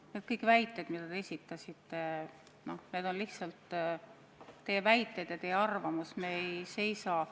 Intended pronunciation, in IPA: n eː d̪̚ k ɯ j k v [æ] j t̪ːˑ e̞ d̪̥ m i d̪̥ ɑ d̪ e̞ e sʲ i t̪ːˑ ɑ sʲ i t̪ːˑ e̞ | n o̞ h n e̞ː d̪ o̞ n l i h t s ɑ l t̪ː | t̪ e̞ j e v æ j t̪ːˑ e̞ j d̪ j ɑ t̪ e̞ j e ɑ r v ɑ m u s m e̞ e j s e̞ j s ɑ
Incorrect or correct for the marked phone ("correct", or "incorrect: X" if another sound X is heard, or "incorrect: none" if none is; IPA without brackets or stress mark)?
correct